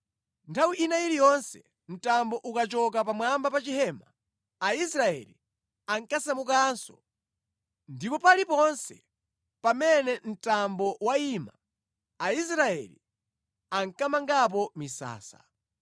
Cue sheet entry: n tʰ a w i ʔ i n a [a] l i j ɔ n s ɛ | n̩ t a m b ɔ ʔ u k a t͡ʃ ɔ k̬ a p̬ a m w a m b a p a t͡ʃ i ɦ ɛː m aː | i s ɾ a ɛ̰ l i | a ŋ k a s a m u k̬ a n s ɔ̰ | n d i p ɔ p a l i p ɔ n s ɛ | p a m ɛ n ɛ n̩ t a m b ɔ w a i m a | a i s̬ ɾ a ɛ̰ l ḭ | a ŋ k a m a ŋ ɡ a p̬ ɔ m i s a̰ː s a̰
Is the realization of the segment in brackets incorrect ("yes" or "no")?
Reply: yes